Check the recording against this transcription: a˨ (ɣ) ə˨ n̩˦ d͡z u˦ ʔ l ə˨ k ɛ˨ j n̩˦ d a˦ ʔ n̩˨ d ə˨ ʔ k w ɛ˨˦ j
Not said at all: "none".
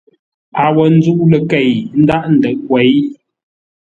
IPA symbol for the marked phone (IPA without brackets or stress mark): w